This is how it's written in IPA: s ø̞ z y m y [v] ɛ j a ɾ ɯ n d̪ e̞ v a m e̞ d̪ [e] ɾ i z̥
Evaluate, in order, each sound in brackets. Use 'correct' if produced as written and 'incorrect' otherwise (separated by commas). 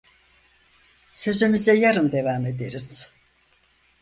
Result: incorrect, correct